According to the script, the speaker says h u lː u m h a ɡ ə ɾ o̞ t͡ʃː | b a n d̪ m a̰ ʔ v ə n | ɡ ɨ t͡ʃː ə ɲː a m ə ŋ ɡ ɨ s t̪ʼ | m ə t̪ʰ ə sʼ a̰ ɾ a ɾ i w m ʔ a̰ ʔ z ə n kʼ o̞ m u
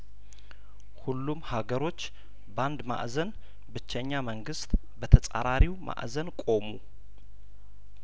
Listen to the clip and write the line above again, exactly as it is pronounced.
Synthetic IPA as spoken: h u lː u m h a ɡ ə ɾ o̞ t͡ʃː | b a n d̪ m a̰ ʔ z ə n | b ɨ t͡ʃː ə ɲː a m ə ŋ ɡ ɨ s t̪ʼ | b ə t̪ʰ ə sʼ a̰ ɾ a ɾ i w m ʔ a̰ ʔ z ə n kʼ o̞ m u